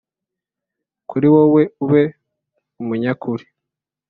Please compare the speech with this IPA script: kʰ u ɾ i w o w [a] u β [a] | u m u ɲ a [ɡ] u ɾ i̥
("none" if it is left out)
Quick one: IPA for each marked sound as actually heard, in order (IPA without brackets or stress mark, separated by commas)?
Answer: e, e, k